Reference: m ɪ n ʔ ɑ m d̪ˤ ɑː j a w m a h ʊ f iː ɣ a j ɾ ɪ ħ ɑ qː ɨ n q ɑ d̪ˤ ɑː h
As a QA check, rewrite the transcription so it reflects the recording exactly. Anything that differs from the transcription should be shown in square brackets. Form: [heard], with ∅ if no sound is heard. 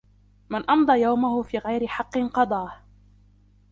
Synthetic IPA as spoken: m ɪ n ʔ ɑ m d̪ˤ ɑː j a w m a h ʊ f iː ɣ a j ɾ ɪ ħ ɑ qː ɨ n q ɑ d̪ˤ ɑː h